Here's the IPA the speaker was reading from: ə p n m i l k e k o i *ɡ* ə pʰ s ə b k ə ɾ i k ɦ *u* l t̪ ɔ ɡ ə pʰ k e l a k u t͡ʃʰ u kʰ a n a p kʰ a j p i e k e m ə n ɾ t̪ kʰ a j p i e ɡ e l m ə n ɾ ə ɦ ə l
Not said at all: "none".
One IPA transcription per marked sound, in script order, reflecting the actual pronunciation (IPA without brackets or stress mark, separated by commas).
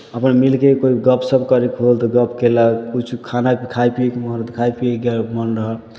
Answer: ɡ, o